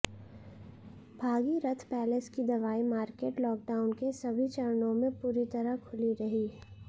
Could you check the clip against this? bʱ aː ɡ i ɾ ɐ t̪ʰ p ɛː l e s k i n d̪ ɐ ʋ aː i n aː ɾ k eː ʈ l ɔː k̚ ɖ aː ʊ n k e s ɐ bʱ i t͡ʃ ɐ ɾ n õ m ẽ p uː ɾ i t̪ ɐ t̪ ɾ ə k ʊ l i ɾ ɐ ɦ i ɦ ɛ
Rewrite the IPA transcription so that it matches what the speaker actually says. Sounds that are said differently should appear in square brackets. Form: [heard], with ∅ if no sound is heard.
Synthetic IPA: bʱ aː ɡ i ɾ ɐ t̪ʰ p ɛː l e s k i [∅] d̪ ɐ ʋ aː i [m] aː ɾ k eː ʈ l ɔː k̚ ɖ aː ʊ n k e s ɐ bʱ i t͡ʃ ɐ ɾ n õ m ẽ p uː ɾ i t̪ ɐ [∅] ɾ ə [kʰ] ʊ l i ɾ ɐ ɦ i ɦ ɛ